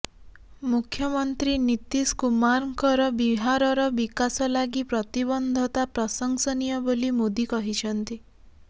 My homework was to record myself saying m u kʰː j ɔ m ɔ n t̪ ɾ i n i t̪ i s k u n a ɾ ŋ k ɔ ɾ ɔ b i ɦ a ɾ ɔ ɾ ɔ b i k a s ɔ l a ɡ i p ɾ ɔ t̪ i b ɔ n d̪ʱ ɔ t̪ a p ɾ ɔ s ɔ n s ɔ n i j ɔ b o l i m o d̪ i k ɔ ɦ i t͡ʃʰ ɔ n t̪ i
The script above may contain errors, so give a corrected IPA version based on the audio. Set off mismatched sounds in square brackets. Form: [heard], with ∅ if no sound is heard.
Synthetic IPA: m u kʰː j ɔ m ɔ n t̪ ɾ i n i t̪ i s k u [m] a ɾ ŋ k ɔ ɾ ɔ b i ɦ a ɾ ɔ ɾ ɔ b i k a s ɔ l a ɡ i p ɾ ɔ t̪ i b ɔ n d̪ʱ ɔ t̪ a p ɾ ɔ s ɔ [ŋ] s ɔ n i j ɔ b o l i m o d̪ i k ɔ ɦ i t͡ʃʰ ɔ n t̪ i

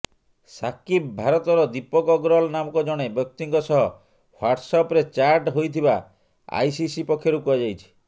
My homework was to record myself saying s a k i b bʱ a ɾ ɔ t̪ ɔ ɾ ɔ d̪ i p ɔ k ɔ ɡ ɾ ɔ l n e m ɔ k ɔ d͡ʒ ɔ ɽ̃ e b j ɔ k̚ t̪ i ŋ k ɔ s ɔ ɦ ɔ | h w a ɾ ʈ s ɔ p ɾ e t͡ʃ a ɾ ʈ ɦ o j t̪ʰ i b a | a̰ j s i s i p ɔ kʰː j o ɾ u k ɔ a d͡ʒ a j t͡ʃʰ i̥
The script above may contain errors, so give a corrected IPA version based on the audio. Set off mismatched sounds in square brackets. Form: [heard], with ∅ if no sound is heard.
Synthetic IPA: s a k i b bʱ a ɾ ɔ t̪ ɔ ɾ ɔ d̪ i p ɔ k ɔ ɡ ɾ ɔ l n [a] m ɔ k ɔ d͡ʒ ɔ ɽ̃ e b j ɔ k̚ t̪ i ŋ k ɔ s ɔ ɦ ɔ | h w a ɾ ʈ s ɔ p ɾ e t͡ʃ a ɾ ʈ ɦ o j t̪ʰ i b a | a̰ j s i s i p ɔ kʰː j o ɾ u k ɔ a d͡ʒ a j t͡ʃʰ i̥

